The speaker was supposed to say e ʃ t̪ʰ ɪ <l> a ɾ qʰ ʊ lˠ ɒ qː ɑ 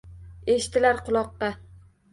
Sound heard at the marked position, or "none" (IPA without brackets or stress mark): l